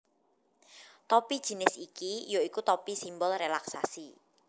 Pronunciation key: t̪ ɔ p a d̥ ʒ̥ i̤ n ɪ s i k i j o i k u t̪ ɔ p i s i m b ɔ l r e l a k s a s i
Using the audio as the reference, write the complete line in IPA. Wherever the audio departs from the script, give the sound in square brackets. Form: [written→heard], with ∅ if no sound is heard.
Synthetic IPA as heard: t̪ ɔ p [a→i] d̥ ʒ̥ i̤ n ɪ s i k i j o i k u t̪ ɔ p i s i m b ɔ l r e l a k s a s i